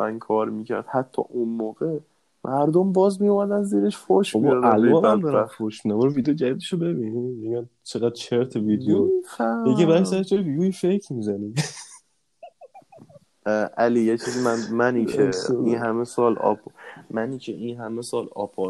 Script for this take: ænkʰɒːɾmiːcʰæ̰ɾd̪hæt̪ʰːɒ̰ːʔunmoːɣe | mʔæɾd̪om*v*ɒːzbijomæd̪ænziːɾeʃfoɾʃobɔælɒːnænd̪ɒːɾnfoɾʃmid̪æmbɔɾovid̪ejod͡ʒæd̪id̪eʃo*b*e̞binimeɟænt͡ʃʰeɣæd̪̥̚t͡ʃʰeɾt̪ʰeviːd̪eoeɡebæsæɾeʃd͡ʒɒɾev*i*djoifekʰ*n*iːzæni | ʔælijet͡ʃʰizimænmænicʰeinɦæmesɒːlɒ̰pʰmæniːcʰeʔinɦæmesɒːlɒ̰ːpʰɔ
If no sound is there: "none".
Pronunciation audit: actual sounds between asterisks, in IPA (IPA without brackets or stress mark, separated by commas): b, b, i, m